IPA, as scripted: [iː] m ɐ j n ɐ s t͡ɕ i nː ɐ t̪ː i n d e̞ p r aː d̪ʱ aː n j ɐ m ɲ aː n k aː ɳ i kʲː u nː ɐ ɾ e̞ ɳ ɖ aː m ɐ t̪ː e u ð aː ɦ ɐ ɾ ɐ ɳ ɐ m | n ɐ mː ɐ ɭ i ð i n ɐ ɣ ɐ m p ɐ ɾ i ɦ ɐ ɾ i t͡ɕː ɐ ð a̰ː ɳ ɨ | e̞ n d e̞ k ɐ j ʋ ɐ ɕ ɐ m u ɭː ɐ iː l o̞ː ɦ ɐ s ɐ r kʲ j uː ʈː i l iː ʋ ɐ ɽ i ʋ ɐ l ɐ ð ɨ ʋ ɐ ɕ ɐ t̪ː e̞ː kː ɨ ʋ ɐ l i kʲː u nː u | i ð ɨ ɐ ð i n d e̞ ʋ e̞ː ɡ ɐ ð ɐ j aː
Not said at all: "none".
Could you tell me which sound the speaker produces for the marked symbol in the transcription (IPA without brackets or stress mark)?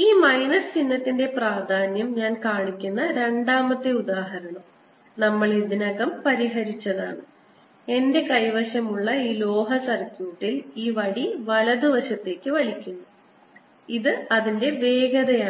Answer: iː